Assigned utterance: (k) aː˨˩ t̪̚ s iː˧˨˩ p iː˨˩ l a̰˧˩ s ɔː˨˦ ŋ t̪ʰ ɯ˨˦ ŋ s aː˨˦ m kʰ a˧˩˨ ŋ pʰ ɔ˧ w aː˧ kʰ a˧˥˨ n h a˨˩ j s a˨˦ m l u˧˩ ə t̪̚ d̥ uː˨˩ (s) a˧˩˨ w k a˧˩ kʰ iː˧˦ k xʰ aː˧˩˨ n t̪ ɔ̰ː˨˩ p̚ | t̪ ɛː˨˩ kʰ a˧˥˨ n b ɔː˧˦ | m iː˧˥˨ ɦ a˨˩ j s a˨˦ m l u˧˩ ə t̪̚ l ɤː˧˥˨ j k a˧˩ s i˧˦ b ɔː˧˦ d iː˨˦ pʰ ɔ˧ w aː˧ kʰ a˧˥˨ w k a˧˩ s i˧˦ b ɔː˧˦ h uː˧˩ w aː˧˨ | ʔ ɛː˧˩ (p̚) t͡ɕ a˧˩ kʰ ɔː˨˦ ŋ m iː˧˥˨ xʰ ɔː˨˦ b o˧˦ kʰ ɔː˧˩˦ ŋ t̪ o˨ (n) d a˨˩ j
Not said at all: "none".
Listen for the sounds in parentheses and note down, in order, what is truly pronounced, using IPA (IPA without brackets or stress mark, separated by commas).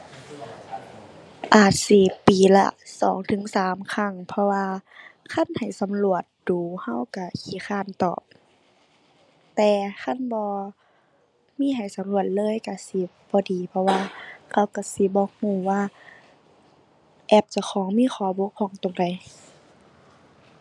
ʔ, h, p̚, ŋ